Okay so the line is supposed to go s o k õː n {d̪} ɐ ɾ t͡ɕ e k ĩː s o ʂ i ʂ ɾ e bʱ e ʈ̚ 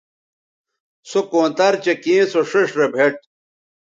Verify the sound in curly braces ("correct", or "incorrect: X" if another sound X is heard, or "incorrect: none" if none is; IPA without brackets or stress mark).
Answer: incorrect: t̪